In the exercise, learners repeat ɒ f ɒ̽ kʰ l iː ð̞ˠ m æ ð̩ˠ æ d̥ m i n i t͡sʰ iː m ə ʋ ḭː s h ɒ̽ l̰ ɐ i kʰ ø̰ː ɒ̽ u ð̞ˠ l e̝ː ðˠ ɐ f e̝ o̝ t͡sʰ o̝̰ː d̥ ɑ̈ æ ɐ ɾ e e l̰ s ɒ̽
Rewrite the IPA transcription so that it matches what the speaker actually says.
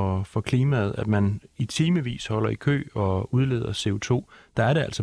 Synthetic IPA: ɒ f ɒ̽ kʰ l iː m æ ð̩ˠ æ d̥ m æ n i t͡sʰ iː m ə ʋ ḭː s h ɒ̽ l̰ ɐ i kʰ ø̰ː ɒ̽ u ð̞ˠ l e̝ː ðˠ ɐ s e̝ o̝ t͡sʰ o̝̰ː d̥ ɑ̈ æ ɐ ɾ e æ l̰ s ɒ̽